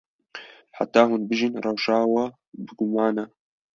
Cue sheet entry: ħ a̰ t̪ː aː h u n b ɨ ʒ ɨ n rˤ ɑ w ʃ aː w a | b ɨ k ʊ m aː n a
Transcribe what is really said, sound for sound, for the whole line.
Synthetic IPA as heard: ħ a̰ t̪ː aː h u n b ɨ ʒ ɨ n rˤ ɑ w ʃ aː w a | b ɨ ɡ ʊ m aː n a